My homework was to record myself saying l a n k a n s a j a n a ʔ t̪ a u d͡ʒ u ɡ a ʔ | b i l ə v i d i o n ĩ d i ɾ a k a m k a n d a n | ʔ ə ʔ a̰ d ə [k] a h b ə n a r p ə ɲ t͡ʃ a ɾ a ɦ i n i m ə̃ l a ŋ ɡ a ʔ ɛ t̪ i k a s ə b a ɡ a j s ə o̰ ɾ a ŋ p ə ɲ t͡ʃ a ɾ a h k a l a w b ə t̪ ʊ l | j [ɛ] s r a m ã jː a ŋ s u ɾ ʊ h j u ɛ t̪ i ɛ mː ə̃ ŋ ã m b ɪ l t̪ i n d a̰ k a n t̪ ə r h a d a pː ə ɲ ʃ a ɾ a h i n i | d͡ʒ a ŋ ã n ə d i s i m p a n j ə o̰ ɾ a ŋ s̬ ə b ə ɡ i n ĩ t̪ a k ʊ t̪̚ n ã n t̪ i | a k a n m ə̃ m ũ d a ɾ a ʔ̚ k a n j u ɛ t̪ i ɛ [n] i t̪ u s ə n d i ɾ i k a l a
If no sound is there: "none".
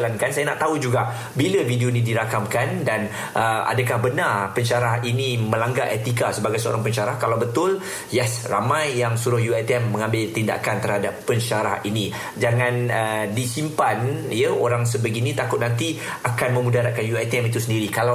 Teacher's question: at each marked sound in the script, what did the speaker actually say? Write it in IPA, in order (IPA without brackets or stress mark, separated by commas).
k, ɛ, m